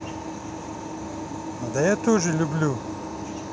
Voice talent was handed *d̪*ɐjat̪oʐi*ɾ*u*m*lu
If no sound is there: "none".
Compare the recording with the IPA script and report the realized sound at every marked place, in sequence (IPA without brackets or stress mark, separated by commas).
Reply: d̪, l, b